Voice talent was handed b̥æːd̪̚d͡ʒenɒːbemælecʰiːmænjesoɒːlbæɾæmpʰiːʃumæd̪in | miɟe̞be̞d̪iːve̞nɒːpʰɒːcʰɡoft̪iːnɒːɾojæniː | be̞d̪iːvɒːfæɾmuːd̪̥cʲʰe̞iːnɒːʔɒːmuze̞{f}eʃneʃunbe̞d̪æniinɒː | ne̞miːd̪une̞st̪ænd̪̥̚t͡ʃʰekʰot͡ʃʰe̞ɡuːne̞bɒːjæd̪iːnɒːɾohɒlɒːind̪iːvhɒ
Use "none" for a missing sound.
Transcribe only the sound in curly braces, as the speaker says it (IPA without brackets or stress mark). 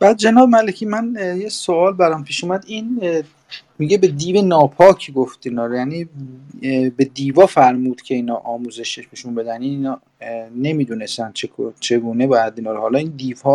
ʃ